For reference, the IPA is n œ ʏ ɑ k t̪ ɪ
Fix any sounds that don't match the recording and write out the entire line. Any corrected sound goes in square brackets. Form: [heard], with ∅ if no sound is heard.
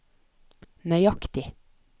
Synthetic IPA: n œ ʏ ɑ k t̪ ɪ